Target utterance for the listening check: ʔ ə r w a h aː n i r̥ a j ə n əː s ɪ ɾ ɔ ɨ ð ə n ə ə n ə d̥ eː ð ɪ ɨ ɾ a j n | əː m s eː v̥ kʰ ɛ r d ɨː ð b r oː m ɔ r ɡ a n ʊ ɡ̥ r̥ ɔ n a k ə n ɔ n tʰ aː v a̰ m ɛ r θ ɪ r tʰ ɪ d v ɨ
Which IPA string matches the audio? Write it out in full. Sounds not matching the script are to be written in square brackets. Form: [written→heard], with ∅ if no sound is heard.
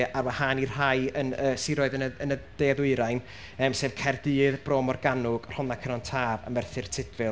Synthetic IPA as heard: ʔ [ə→a] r w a h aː n i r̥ a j ə n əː s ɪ ɾ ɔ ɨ ð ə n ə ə n ə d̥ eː ð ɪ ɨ ɾ a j n | əː m s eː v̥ kʰ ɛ r d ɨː ð b r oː m ɔ r ɡ a n ʊ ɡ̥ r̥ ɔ n a [k→kʰ] ə n ɔ n tʰ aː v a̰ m ɛ r θ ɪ r tʰ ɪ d v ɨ